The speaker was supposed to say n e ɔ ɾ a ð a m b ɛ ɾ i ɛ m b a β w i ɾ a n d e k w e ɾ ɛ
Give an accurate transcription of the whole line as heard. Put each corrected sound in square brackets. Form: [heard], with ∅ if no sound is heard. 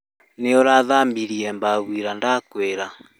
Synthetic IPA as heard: n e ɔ ɾ a ð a m b [i] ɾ i ɛ m b a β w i ɾ a n d [a] k w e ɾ [a]

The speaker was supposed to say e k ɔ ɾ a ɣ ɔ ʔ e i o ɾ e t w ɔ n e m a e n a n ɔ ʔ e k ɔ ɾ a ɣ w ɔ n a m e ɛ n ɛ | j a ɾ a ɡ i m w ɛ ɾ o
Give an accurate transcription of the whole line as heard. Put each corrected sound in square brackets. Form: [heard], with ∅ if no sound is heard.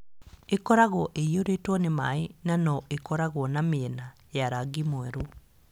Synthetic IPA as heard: e k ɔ ɾ a ɣ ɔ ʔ e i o ɾ e t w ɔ n e m a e n a n ɔ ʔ e k ɔ ɾ a ɣ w ɔ n a m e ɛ n [a] | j a ɾ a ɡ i m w ɛ ɾ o

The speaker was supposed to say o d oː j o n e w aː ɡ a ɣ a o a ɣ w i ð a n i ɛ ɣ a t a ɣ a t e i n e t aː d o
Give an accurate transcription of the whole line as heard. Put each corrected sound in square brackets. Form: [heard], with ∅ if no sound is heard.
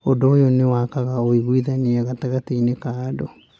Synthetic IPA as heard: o d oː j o n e w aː [k] a ɣ a o [i] ɣ w i ð a n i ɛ ɣ a t a ɣ a t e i n e [k] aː d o

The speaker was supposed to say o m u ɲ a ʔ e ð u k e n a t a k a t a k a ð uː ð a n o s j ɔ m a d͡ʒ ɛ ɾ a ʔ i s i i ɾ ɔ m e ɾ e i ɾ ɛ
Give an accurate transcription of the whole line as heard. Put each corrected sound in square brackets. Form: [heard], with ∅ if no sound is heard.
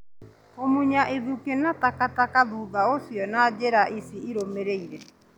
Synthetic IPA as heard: o m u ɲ a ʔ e ð u k e n a t a k a t a k a ð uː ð a [∅] o s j ɔ [n] a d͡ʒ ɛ ɾ a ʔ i s i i ɾ [o] m e ɾ e i ɾ ɛ

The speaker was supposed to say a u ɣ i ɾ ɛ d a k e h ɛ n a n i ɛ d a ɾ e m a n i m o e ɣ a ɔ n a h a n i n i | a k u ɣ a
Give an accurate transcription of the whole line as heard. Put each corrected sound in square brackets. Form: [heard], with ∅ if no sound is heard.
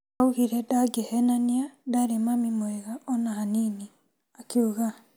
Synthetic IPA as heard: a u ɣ i ɾ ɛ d a [ɡ] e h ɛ n a n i [a] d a ɾ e m a [m] i m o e ɣ a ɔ n a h a n i n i | a k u ɣ a

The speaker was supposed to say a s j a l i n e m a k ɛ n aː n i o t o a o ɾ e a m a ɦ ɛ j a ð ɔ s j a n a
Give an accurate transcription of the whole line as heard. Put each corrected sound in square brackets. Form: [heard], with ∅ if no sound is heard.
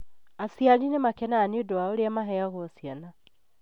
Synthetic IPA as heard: a s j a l i n e m a k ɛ n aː n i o [d] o a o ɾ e a m a ɦ ɛ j a [ɣ] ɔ s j a n a

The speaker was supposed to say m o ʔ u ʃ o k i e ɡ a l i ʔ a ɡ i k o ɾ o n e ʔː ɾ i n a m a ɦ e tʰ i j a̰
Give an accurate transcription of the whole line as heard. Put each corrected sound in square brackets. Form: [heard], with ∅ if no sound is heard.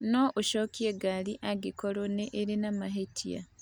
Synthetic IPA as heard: [n] o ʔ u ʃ o k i e ɡ a l i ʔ a ɡ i k o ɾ o n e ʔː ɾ i n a m a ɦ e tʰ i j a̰

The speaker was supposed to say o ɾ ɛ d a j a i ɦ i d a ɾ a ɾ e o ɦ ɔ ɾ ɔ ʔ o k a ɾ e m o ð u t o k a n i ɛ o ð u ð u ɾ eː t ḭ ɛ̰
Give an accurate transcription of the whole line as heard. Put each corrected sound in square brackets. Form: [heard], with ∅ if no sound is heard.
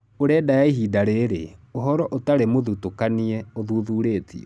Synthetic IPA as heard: o ɾ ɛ d a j a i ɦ i d a ɾ [e] ɾ e o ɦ ɔ ɾ ɔ ʔ o [t] a ɾ e m o ð u t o k a n i ɛ o ð u ð u ɾ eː t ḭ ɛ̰

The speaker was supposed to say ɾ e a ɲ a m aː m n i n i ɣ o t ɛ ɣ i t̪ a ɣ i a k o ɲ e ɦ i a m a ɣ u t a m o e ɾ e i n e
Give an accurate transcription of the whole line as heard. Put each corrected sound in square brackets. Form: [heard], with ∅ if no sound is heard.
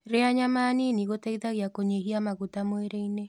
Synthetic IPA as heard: ɾ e a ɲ a m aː [∅] n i n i ɣ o t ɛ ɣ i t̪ a ɣ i a k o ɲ e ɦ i a m a ɣ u t a m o e ɾ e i n e

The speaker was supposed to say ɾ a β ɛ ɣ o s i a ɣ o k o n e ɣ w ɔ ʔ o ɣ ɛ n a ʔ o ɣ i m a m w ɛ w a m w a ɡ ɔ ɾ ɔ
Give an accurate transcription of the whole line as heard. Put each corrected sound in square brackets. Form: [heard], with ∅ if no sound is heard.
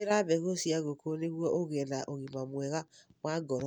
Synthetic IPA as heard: ɾ a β ɛ ɣ o s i a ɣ o k o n e ɣ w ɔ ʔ o ɣ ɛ n a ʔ o ɣ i m a m w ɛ [ɣ] a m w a ɡ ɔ ɾ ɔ

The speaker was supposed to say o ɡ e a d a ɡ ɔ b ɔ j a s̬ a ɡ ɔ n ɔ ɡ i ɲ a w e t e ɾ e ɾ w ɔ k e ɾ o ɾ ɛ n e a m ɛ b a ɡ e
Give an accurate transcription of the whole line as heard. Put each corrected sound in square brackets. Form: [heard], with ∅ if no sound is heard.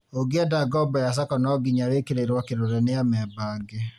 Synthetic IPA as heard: o ɡ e a d a ɡ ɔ b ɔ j a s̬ a [k] ɔ n ɔ ɡ i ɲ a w e [k] e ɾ e ɾ w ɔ k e ɾ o ɾ ɛ n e a m ɛ b a ɡ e

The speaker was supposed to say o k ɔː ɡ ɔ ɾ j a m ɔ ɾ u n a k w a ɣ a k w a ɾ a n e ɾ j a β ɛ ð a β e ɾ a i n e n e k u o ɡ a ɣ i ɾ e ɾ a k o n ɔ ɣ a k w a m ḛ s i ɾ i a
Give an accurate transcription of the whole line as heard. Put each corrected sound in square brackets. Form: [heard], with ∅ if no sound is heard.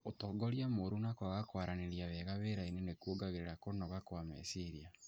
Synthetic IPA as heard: o [t] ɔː ɡ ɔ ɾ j a m [o] ɾ u n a k w a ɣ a k w a ɾ a n e ɾ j a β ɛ [ɣ] a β e ɾ a i n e n e k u o ɡ a ɣ [e] ɾ e ɾ a k o n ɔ ɣ a k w a m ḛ s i ɾ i a

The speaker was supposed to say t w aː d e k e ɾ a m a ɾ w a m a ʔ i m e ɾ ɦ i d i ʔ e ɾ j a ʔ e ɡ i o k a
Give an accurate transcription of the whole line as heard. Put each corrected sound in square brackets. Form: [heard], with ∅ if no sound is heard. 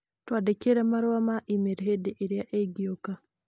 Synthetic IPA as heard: t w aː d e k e ɾ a m a ɾ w a m a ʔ i m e ɾ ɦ [e] d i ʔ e ɾ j a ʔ e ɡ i o k a

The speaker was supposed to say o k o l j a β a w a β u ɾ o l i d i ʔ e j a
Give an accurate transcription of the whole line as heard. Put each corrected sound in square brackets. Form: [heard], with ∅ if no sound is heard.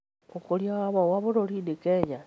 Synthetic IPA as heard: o k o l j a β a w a β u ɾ o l i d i [k] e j a

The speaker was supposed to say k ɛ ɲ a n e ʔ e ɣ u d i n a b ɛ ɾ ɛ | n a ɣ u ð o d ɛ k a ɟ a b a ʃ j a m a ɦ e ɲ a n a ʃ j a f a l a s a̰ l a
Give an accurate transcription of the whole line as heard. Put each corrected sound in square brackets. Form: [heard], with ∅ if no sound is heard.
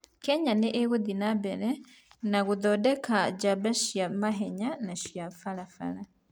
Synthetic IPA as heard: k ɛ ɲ a n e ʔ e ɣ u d i n a b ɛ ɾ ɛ | n a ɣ u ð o d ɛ k a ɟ a b a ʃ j a m a ɦ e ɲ a n a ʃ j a f a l a [f] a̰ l a

